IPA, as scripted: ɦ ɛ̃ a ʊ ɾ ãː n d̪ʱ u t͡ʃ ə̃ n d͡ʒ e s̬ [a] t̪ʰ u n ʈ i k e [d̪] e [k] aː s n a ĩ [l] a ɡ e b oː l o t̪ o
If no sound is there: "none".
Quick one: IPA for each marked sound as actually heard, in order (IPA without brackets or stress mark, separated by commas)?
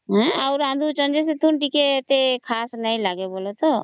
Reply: e, t̪, kʰ, l